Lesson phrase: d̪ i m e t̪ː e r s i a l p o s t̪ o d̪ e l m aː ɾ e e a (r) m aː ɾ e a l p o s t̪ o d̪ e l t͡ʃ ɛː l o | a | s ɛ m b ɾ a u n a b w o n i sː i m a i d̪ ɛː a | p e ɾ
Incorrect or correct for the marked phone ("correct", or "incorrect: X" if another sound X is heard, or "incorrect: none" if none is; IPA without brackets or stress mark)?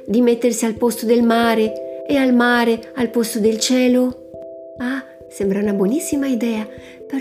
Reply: incorrect: l